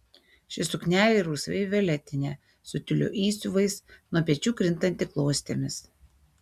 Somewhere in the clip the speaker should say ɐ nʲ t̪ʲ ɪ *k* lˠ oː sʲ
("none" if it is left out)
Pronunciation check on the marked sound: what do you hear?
k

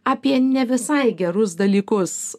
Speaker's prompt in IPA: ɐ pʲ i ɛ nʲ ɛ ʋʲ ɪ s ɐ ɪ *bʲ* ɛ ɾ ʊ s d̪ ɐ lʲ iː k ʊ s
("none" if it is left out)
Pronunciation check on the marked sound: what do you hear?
ɡʲ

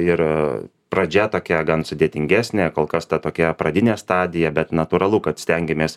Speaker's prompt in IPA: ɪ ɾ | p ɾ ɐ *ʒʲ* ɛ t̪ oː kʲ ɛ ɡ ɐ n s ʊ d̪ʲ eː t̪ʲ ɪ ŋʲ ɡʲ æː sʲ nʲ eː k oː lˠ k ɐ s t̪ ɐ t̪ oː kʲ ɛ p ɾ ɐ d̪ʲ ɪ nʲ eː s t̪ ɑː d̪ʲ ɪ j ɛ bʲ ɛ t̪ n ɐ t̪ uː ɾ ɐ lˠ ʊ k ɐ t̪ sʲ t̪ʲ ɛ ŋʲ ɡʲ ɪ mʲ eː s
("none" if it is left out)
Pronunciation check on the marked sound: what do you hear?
d͡ʒʲ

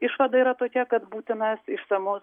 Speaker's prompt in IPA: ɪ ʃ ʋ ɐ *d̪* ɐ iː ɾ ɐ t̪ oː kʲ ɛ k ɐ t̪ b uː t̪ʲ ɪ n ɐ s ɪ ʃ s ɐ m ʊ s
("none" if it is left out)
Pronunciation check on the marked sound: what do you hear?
d̪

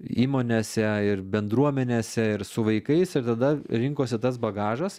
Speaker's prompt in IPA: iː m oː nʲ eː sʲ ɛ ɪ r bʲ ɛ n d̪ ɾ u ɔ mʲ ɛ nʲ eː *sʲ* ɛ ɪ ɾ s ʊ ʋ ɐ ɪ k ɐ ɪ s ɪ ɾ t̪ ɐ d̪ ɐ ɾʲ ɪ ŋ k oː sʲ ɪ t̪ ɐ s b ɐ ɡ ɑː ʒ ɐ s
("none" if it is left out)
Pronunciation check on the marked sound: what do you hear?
sʲ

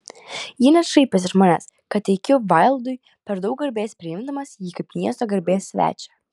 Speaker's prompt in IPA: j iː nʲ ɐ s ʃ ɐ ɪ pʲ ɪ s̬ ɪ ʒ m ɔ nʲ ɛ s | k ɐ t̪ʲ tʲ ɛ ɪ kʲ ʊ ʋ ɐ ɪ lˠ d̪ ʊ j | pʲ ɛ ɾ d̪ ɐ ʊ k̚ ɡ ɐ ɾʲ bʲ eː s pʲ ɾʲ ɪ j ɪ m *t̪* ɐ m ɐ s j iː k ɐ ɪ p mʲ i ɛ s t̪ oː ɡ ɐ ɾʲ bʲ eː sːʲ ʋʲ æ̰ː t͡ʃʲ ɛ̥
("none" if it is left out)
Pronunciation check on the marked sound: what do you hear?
d̪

